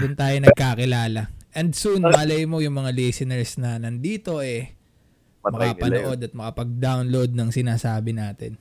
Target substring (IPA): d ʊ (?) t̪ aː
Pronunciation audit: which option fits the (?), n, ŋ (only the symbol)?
n